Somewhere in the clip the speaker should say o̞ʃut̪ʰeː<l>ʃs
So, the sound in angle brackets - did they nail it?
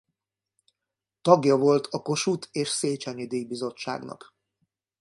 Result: no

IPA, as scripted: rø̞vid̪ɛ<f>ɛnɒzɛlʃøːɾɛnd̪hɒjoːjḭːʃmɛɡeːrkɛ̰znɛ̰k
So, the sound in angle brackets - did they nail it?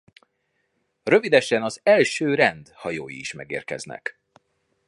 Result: no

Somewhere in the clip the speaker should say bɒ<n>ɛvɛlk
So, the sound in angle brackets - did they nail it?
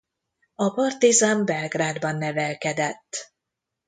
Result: no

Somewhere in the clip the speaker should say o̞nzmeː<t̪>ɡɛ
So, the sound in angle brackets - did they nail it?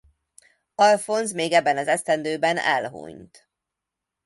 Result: no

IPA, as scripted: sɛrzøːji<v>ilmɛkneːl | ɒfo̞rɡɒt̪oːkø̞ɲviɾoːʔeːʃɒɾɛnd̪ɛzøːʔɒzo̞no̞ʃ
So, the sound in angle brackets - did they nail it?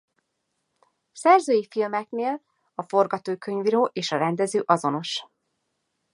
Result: no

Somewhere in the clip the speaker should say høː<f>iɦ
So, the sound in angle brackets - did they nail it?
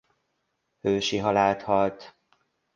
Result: no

